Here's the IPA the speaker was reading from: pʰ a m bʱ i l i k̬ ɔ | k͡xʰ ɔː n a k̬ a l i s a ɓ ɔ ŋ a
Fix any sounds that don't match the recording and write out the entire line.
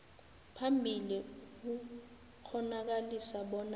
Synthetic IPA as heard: pʰ a m bʱ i l i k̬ u | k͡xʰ ɔ n a k̬ a l i s a ɓ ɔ n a